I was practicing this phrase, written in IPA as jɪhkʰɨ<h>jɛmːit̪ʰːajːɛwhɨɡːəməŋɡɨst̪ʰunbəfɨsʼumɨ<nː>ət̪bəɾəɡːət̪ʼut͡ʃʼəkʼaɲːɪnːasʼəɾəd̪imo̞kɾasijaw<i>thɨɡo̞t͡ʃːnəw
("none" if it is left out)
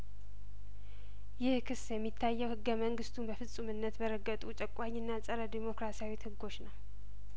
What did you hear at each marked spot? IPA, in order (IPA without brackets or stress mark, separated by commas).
s, nː, i